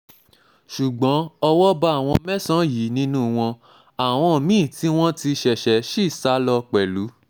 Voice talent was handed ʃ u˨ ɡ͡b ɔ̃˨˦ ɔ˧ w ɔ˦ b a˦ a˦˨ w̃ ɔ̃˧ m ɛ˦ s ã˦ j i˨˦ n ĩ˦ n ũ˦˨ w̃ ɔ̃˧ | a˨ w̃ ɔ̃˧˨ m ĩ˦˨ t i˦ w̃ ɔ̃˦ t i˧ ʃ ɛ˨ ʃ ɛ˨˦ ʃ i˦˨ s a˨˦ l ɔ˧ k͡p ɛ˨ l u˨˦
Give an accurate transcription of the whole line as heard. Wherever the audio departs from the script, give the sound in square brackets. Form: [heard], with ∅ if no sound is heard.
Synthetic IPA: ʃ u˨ ɡ͡b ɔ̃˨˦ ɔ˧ w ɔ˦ b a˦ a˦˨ w̃ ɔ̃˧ m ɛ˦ s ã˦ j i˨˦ n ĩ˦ n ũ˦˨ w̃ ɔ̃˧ | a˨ w̃ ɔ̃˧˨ m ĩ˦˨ t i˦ w̃ ɔ̃˦ t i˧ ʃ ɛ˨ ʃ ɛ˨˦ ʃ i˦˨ s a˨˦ l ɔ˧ k͡p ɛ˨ l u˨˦